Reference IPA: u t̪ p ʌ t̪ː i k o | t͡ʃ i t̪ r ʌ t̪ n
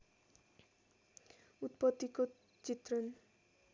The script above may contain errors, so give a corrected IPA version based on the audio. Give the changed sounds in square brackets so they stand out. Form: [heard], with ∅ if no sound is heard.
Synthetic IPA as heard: u t̪ p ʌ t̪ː i k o | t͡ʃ i t̪ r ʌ [∅] n